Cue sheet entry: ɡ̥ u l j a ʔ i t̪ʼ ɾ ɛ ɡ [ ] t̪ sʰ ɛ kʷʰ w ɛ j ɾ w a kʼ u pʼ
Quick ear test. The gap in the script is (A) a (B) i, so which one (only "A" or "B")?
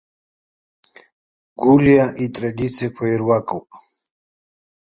B